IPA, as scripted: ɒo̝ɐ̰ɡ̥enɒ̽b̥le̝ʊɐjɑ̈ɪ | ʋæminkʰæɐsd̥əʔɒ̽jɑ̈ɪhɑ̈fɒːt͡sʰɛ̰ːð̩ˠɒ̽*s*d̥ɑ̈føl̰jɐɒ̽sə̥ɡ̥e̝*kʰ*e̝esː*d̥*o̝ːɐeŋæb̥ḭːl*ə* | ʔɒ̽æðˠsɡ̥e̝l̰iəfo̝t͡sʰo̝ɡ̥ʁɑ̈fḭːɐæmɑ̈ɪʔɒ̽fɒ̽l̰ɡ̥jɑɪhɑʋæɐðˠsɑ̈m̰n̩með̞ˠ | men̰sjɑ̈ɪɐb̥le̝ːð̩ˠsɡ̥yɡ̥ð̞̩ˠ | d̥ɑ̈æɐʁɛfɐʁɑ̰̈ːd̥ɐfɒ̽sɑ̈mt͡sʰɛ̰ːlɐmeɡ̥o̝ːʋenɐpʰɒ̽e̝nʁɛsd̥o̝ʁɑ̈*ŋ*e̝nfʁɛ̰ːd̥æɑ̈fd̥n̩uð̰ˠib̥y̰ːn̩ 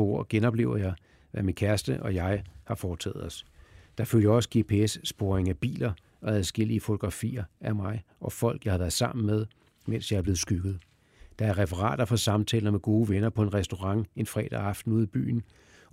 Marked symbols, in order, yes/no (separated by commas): yes, no, no, no, yes